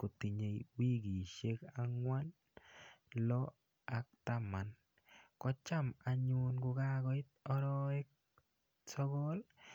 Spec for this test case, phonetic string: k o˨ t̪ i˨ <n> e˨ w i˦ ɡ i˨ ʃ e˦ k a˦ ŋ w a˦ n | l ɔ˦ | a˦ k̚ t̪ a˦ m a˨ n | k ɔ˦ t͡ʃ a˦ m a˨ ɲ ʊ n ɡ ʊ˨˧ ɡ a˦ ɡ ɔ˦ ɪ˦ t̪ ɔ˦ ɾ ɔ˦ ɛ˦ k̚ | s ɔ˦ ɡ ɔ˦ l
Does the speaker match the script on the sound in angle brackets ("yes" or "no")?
no